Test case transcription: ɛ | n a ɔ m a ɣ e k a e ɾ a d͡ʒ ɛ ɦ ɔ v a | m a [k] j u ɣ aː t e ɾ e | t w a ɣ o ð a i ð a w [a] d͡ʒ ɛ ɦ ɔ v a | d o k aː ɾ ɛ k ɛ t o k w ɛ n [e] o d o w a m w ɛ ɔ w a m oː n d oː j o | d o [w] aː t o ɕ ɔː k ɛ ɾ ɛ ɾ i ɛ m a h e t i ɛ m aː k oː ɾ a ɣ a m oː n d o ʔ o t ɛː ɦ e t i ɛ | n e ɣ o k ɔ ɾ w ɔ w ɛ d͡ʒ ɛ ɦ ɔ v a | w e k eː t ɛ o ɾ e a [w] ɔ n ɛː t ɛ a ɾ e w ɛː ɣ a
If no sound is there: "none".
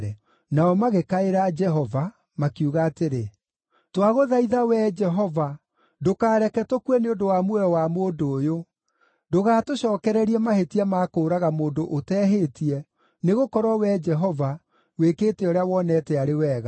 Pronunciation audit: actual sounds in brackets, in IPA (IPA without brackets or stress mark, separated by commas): k, ɛ, e, ɣ, w